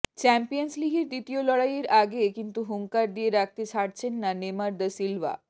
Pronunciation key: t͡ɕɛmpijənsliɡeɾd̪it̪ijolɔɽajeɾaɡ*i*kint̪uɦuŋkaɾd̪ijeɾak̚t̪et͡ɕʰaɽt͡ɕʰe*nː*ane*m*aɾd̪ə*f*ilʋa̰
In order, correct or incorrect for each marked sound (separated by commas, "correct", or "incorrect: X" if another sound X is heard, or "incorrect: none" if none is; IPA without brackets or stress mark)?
incorrect: e, correct, correct, incorrect: s